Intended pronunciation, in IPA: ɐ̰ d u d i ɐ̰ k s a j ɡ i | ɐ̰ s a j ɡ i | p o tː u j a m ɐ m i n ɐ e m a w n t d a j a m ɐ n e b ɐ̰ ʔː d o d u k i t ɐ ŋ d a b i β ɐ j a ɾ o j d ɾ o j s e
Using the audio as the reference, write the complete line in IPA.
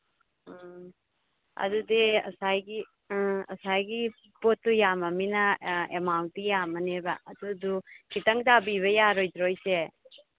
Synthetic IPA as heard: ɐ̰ d u d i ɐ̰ s a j ɡ i | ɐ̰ s a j ɡ i | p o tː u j a m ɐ m i n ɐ e m a w n t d i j a m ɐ n e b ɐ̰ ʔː d u d u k i t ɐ ŋ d a b i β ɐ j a ɾ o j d ɾ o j s e

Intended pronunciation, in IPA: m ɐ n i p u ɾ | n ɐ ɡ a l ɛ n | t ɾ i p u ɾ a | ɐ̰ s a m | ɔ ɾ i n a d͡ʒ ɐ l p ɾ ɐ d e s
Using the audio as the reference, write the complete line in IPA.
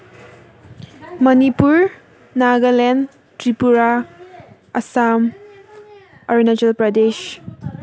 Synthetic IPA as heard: m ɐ n i p u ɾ | n a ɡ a l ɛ n | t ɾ i p u ɾ a | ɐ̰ s a m | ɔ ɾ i n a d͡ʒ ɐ l p ɾ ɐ d e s

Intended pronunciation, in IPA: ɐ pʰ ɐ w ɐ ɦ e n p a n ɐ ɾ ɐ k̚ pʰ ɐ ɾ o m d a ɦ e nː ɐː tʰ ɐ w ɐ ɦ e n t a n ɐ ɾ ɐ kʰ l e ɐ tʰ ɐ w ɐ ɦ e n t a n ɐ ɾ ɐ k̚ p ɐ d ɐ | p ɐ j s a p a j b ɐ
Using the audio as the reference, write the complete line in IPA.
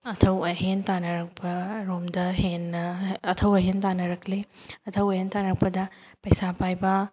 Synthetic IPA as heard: ɐ tʰ ɐ w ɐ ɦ e n t a n ɐ ɾ ɐ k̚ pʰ ɐ ɾ o m d ɐ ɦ e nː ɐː tʰ ɐ w ɐ ɦ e n t a n ɐ ɾ ɐ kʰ l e ɐ tʰ ɐ w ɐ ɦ e n t a n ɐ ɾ ɐ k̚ p ɐ d ɐ | p ɐ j s a p a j b ɐ

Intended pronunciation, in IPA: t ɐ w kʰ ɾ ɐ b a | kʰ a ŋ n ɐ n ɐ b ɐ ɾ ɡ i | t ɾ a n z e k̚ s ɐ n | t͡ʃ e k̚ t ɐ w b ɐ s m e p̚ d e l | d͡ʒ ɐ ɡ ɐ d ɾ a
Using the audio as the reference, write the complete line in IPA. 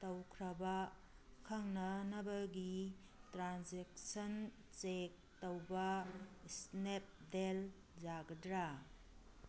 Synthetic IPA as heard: t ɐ w kʰ ɾ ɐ b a | kʰ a ŋ n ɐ n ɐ b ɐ ɡ i | t ɾ a n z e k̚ s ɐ n | t͡ʃ e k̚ t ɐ w b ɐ s n e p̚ d e l | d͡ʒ a ɡ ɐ d ɾ a

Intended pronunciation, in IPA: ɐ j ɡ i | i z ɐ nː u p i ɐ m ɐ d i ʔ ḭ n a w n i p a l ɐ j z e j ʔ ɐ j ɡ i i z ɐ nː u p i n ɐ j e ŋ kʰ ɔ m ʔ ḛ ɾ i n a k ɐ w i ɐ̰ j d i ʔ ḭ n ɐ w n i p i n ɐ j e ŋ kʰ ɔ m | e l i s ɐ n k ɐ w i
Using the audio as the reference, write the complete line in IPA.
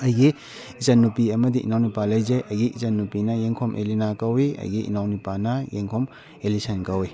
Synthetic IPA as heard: ɐ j ɡ i | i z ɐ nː u p i ɐ m ɐ d i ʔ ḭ n a w n i p a l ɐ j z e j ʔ ɐ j ɡ i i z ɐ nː u p i n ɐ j e ŋ kʰ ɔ m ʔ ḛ l i n a k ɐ w i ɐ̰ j ɡ i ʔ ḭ n a w n i p a n ɐ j e ŋ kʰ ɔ m | e l i s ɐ n k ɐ w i

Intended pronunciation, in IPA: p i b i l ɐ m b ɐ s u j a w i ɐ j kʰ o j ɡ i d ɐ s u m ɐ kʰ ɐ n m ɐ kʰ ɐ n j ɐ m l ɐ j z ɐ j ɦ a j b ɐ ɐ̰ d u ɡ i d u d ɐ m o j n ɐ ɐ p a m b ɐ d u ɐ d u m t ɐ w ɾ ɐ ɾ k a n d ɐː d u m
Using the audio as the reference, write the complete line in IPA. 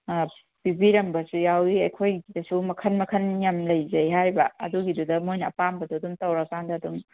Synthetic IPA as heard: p i b i ɾ ɐ m b ɐ s u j a w i ɐ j kʰ o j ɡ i d ɐ s u m ɐ kʰ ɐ n m ɐ kʰ ɐ n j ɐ m l ɐ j z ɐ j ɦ a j b ɐ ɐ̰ d u ɡ i d u d ɐ m o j n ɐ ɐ p a m b ɐ d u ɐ d u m t ɐ w ɾ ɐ k a n d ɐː d u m

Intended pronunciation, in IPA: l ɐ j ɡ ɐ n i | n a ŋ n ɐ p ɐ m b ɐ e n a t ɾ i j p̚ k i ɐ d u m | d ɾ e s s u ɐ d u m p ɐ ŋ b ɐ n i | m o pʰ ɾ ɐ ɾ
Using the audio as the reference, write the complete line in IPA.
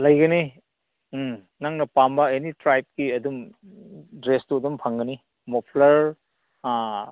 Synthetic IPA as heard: l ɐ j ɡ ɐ n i | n a ŋ n ɐ p a m b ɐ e n i t ɾ a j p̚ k i ɐ d u m | d ɾ e s t u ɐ d u m pʰ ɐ ŋ ɡ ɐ n i | m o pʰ l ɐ ɾ

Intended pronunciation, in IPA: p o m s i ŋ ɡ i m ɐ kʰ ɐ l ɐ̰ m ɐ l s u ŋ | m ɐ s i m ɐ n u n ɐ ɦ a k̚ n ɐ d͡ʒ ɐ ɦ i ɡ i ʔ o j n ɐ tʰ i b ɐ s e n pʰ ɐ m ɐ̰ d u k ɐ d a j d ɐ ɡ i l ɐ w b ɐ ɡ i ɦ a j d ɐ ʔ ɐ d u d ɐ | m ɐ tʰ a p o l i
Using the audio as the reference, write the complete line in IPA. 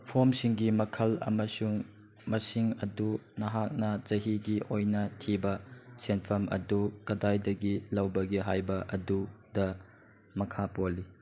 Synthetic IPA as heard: pʰ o m s i ŋ ɡ i m ɐ kʰ ɐ l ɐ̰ m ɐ s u ŋ | m ɐ s i ŋ ɐ d u n ɐ ɦ a k̚ n ɐ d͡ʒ ɐ ɦ i ɡ i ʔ o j n ɐ tʰ i b ɐ s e n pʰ ɐ m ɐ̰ d u k ɐ d a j d ɐ ɡ i l ɐ w b ɐ ɡ i ɦ a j b ɐ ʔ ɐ d u d ɐ | m ɐ kʰ a p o l i

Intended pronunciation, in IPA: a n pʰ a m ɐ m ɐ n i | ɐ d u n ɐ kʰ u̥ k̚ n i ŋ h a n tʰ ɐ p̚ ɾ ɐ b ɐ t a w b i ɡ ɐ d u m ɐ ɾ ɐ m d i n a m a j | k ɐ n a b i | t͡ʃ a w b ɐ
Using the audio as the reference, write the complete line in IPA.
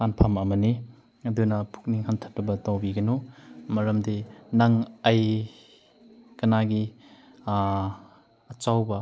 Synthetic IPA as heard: a n pʰ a m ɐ m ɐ n i | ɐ d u n ɐ pʰ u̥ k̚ n i ŋ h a n tʰ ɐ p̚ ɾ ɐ b ɐ t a w b i ɡ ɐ n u m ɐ ɾ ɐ m d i n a ŋ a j | k ɐ n a ɡ i | t͡ʃ a w b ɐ

